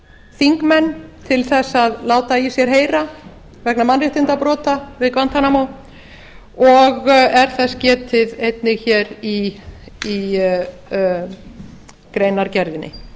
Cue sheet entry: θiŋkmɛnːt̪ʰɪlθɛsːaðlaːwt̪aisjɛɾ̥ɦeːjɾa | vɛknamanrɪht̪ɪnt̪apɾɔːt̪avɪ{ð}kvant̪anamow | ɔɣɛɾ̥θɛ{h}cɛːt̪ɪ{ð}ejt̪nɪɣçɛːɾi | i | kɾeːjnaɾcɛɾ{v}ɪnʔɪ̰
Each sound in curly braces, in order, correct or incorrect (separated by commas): correct, incorrect, correct, incorrect